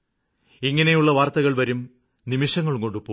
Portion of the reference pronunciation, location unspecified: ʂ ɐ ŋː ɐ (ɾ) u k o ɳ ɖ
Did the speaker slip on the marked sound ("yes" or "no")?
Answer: yes